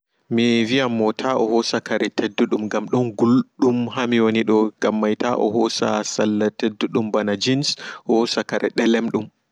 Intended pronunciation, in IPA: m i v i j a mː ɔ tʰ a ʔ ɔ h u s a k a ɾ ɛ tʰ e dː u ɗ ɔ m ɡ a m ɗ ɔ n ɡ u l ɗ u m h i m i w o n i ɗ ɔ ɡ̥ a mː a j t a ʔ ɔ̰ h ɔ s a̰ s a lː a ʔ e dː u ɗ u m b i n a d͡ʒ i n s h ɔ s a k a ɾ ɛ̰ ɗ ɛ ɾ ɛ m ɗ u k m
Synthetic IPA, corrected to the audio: m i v i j a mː ɔ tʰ a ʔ ɔ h ɔ s a k a ɾ ɛ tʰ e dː u ɗ u m ɡ a m ɗ ɔ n ɡ u l ɗ u m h a m i w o n i ɗ ɔ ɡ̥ a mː a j t a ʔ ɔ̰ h ɔ s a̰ s a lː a t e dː u ɗ u m b a n a d͡ʒ i n s h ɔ s a k a ɾ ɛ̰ ɗ ɛ l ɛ m ɗ u m